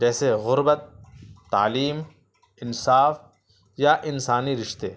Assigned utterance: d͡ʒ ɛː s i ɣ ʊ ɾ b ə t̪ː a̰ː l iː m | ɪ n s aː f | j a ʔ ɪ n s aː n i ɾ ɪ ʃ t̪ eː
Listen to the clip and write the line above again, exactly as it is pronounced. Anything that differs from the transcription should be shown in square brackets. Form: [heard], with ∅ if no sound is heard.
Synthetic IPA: d͡ʒ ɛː s [e] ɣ ʊ ɾ b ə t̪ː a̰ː l iː m | ɪ n s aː f | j a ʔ ɪ n s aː n i ɾ ɪ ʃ t̪ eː